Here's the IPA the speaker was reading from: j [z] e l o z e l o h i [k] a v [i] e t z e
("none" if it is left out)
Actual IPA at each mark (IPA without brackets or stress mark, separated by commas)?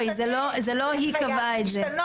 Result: z, k, a